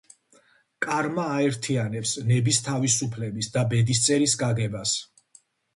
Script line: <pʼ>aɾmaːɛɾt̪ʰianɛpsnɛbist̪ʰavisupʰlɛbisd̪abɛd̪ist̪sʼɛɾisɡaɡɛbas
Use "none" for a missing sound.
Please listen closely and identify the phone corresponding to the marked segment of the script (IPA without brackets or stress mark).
kʼ